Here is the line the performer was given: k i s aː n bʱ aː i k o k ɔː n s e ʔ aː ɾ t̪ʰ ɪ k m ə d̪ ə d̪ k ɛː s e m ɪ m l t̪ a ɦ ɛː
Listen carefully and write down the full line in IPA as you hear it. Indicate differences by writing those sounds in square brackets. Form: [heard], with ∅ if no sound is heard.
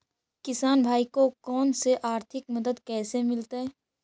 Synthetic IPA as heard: k [ɪ] s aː n bʱ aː i k o k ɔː n s e ʔ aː ɾ t̪ʰ ɪ k m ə d̪ ə d̪ k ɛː s e m ɪ [∅] l t̪ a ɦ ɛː